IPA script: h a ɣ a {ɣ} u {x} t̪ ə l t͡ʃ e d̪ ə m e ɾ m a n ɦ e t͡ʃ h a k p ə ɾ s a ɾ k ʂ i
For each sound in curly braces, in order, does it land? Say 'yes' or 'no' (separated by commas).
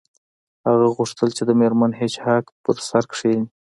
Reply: yes, no